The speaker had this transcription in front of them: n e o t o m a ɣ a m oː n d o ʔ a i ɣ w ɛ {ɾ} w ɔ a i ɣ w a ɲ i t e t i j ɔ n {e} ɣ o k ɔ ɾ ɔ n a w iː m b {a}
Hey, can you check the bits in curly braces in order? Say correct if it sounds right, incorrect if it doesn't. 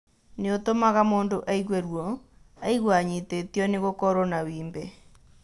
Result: correct, correct, incorrect: ɛ

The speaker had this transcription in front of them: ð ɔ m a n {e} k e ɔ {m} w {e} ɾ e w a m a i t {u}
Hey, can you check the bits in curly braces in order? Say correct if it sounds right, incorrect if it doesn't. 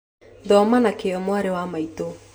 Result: incorrect: a, correct, incorrect: a, incorrect: o

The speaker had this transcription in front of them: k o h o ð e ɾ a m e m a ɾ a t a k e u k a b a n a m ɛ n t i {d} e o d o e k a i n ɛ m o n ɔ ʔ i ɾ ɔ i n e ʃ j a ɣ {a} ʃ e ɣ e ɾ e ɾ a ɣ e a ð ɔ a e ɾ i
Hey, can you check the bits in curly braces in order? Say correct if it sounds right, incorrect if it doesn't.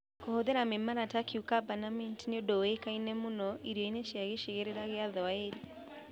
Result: incorrect: n, incorrect: e

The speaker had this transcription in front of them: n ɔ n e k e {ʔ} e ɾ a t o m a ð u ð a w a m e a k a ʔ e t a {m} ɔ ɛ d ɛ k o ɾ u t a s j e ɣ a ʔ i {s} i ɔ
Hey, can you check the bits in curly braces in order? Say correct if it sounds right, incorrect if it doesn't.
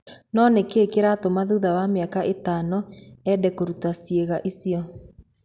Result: incorrect: k, incorrect: n, correct

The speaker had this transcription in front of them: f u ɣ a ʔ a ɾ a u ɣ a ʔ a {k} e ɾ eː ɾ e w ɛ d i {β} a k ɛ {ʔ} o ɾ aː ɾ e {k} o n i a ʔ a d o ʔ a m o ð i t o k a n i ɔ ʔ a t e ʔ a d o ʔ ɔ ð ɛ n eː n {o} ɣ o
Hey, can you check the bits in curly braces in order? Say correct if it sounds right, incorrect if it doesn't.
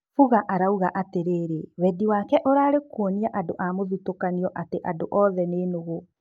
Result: incorrect: t, incorrect: w, correct, correct, correct

